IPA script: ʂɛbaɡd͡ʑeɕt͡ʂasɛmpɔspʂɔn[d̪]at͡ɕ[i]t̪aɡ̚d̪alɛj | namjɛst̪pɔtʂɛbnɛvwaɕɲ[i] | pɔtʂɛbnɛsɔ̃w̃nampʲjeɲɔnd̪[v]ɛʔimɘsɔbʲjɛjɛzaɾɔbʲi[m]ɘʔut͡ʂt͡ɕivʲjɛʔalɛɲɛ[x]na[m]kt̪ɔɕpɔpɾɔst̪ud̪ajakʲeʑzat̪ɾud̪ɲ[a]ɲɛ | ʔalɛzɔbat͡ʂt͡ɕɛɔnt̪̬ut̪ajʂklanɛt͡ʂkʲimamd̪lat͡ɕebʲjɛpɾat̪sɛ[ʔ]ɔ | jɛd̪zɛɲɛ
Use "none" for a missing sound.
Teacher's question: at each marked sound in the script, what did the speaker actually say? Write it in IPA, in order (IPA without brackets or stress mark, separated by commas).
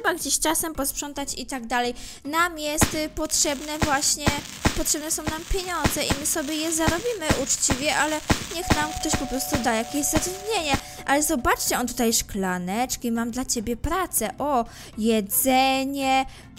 t̪, i, ɛ, z, m, x, m, e, ʔ